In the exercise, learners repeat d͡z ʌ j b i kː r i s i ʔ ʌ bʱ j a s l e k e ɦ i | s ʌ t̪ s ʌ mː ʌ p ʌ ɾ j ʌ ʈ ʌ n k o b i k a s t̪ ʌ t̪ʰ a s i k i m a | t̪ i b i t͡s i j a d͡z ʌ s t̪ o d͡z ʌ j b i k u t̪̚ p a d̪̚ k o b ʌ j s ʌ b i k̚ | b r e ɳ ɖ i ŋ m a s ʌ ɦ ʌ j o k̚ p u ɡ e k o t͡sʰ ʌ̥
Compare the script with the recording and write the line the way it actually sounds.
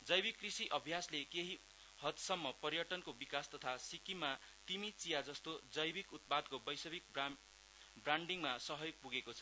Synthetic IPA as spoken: d͡z ʌ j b i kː r i s i ʔ ʌ bʱ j a s l e k e ɦ i | h ʌ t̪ s ʌ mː ʌ p ʌ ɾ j ʌ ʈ ʌ n k o b i k a s t̪ ʌ t̪ʰ a s i k i m a | t̪ i m i t͡s i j a d͡z ʌ s t̪ o d͡z ʌ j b i k u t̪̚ p a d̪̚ k o b ʌ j s ʌ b i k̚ | b r a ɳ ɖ i ŋ m a s ʌ ɦ ʌ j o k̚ p u ɡ e k o t͡sʰ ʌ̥